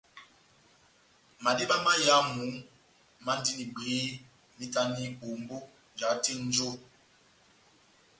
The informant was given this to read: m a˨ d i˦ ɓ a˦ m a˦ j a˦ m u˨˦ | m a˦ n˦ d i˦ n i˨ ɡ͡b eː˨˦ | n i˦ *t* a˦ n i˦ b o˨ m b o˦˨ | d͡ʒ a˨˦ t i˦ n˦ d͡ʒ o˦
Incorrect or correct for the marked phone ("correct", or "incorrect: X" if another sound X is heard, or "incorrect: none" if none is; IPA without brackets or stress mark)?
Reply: correct